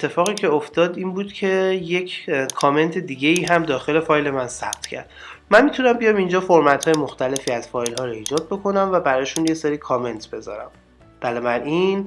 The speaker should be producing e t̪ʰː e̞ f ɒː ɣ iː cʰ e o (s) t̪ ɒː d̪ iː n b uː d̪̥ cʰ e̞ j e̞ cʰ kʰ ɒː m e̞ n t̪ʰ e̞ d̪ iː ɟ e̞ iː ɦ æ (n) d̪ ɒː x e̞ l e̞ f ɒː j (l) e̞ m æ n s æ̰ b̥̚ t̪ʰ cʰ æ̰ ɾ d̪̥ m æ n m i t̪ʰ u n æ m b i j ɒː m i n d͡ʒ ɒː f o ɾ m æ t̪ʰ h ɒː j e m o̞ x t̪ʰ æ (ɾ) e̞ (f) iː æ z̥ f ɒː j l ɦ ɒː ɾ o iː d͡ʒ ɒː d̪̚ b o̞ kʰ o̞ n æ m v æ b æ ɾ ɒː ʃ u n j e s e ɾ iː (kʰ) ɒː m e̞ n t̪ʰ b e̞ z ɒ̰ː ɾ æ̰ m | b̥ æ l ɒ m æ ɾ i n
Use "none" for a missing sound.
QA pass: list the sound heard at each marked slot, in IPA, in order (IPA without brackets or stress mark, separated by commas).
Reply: f, m, l, l, f, kʰ